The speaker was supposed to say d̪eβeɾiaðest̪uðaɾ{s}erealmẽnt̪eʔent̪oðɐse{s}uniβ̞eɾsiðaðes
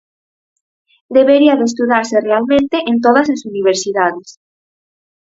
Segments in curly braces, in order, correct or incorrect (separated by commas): correct, correct